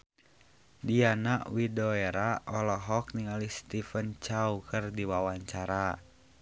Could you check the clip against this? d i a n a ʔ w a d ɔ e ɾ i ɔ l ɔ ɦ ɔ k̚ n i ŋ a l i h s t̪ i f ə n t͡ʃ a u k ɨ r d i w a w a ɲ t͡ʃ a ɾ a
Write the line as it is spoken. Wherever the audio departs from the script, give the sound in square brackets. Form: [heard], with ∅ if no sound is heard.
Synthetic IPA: d i a n a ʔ w [i] d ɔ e ɾ [a] ɔ l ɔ ɦ ɔ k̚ n i ŋ a l i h s t̪ i f ə n t͡ʃ a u k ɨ r d i w a w a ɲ t͡ʃ a ɾ a